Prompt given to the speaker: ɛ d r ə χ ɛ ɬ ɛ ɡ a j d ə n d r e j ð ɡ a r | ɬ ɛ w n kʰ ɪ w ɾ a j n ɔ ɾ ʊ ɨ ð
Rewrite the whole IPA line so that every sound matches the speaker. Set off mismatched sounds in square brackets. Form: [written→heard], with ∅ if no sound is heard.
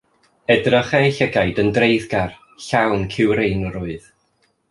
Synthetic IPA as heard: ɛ d r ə χ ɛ ɬ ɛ ɡ a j d ə n d r e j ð ɡ a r | ɬ [ɛ→a] w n kʰ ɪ w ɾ [a→e] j n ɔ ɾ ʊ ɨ ð